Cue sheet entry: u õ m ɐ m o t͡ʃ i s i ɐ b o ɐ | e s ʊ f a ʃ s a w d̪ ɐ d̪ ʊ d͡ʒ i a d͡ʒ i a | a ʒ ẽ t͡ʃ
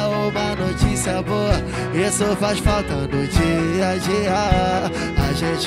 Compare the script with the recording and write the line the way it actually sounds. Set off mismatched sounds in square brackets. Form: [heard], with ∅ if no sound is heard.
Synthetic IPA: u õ m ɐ [n] o t͡ʃ i s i ɐ b o ɐ | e s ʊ f a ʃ [f] a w [t̪] ɐ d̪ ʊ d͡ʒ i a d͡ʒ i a | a ʒ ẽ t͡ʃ